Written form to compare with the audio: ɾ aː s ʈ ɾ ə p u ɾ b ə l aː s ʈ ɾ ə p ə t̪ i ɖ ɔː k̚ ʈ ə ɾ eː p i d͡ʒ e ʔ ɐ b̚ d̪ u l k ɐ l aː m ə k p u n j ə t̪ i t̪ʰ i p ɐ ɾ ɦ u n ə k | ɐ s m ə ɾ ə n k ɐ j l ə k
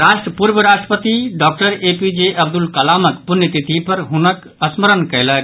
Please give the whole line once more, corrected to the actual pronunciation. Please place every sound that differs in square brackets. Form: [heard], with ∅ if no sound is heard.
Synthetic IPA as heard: ɾ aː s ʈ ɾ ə p u ɾ b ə [ɾ] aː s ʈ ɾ ə p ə t̪ i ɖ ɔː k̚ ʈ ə ɾ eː p i d͡ʒ e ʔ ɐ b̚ d̪ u l k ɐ l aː m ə k p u n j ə t̪ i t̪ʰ i p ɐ ɾ ɦ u n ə k | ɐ s m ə ɾ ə n k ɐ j l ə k